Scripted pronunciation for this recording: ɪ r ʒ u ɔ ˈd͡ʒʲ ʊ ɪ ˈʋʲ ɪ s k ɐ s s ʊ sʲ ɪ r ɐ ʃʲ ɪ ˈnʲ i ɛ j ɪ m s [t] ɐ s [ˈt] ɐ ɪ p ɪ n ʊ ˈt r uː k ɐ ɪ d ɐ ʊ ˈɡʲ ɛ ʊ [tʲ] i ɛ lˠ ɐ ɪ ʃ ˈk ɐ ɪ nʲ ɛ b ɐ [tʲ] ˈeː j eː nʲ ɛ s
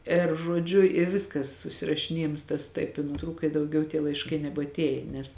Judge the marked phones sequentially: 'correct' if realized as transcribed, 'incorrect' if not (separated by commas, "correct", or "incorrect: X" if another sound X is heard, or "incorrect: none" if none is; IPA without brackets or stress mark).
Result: correct, correct, correct, correct